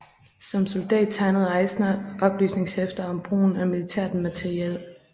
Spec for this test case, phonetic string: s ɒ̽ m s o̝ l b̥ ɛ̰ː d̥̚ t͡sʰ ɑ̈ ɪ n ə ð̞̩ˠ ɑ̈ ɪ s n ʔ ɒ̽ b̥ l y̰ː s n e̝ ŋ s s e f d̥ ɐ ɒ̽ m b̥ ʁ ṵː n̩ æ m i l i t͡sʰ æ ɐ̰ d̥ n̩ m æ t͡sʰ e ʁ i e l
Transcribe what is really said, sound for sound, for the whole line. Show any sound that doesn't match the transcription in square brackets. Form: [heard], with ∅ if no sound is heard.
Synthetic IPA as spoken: s ɒ̽ m s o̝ l [d̥] ɛ̰ː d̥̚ t͡sʰ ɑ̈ ɪ n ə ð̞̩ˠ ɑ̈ ɪ s n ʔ ɒ̽ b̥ l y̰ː s n e̝ ŋ s [h] e f d̥ ɐ ɒ̽ m b̥ ʁ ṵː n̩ æ m i l i t͡sʰ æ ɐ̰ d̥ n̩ m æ t͡sʰ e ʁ i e l